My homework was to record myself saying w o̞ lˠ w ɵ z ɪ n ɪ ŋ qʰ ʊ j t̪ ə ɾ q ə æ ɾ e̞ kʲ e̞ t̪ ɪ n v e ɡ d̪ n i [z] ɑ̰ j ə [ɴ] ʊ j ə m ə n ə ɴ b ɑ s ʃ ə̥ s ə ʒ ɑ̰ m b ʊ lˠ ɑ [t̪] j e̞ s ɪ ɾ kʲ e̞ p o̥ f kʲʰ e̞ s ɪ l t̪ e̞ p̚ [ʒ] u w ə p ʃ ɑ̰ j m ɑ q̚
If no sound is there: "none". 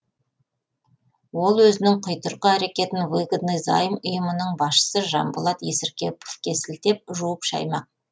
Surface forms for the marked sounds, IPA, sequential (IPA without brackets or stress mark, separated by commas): z, m, t̪, ʒ